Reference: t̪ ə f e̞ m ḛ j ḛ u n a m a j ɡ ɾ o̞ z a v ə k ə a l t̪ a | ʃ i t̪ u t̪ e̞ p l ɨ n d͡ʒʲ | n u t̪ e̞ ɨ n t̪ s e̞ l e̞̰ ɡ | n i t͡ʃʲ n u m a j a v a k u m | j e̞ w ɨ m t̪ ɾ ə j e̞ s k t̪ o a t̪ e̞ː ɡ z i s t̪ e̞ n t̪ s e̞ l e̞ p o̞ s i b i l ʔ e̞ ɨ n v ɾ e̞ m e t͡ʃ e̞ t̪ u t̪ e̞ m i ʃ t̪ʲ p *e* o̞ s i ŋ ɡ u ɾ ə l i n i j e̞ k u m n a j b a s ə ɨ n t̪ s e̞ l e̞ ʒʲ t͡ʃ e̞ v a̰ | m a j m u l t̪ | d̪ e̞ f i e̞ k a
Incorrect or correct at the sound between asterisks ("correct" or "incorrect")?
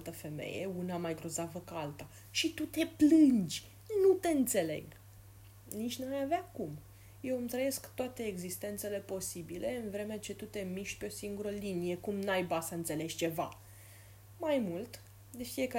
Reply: correct